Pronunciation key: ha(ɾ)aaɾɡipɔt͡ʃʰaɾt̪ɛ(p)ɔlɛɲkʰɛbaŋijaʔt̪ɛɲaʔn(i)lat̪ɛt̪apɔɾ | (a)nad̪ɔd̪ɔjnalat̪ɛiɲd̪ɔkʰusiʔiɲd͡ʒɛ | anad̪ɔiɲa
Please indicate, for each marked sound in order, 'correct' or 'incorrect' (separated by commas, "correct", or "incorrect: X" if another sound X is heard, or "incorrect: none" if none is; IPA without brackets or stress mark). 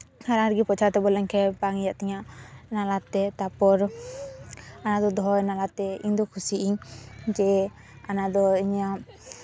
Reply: correct, incorrect: b, incorrect: a, correct